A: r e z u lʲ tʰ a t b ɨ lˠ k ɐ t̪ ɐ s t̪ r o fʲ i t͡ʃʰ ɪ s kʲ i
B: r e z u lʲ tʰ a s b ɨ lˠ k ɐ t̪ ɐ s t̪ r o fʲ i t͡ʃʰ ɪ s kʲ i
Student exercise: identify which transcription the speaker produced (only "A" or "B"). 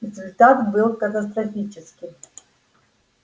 A